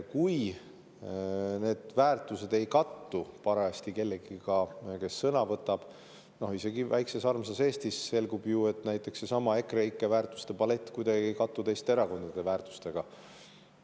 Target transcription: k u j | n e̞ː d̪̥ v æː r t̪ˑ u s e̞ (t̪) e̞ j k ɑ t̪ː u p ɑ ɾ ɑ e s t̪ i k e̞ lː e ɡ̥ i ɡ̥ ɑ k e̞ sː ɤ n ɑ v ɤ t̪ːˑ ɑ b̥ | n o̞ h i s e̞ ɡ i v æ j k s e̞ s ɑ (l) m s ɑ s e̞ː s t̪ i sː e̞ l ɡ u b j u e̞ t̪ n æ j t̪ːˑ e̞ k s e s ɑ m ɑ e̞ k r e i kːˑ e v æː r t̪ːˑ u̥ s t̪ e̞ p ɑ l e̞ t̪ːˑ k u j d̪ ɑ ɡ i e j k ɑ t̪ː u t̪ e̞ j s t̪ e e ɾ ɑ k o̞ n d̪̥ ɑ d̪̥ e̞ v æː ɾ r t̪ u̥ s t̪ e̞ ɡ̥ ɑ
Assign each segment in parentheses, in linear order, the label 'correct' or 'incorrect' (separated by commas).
incorrect, incorrect